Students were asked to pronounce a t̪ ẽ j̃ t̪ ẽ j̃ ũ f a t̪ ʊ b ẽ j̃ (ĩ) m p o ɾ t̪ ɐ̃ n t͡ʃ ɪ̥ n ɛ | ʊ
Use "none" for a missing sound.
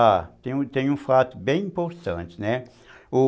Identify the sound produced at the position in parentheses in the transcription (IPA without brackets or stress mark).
ĩ